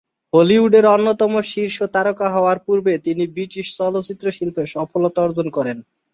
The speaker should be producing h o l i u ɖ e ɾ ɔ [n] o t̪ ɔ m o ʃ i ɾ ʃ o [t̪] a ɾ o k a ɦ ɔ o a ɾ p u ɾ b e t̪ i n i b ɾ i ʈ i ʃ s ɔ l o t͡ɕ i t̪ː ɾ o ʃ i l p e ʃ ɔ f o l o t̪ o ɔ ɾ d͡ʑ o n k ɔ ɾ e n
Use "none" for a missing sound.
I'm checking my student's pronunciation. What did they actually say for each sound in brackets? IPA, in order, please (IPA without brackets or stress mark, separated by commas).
nː, t̪